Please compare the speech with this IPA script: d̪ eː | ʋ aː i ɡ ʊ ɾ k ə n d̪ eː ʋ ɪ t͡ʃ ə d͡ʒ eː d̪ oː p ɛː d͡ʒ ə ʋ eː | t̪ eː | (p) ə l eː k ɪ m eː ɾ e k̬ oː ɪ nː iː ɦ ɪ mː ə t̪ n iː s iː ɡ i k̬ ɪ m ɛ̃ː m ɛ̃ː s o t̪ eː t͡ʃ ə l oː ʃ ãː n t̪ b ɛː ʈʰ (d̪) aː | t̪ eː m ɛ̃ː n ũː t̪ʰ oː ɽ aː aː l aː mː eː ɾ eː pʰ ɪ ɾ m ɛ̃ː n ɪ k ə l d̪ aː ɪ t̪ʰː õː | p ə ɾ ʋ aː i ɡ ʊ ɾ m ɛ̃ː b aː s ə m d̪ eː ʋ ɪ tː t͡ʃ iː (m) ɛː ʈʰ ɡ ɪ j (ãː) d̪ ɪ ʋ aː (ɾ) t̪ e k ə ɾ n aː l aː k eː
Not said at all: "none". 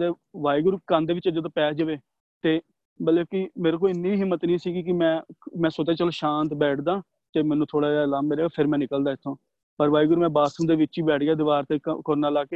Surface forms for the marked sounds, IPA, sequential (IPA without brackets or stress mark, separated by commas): b, d̪, b, aː, ɾ